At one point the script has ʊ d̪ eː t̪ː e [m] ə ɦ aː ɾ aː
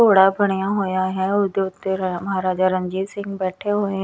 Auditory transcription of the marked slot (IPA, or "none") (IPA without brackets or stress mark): m